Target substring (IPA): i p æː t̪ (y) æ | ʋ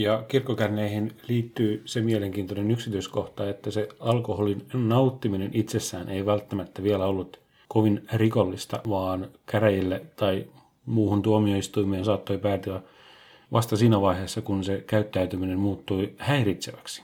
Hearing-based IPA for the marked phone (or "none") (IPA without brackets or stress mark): y